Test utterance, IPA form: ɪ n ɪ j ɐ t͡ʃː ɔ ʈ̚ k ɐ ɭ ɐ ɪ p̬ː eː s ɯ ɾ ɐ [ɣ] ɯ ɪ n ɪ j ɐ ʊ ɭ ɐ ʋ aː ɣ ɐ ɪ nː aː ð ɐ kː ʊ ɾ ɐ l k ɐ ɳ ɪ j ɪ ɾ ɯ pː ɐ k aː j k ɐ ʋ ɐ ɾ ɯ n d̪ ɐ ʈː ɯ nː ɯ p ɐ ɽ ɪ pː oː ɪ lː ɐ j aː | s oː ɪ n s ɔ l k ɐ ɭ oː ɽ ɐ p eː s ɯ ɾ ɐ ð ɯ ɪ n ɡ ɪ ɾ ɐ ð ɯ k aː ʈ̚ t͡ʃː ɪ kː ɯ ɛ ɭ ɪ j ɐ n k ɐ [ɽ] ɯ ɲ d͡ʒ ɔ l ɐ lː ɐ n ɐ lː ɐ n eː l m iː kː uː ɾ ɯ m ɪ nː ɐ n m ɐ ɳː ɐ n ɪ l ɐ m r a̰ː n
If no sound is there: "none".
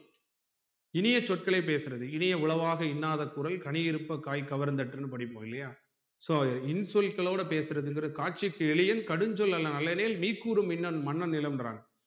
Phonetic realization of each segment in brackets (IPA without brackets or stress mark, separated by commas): ð, ɽ